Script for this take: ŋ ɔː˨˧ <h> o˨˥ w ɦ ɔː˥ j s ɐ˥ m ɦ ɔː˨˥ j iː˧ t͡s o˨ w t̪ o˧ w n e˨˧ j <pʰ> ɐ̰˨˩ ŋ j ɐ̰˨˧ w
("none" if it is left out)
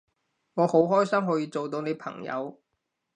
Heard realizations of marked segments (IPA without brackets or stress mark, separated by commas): h, pʰ